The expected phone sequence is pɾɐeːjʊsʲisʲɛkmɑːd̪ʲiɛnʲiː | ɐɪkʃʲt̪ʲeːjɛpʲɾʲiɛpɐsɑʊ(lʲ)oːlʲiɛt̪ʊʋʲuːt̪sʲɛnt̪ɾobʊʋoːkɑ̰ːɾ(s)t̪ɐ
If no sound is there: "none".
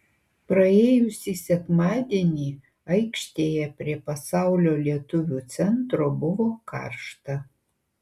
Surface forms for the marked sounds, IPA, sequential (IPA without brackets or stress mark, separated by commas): lʲ, ʃ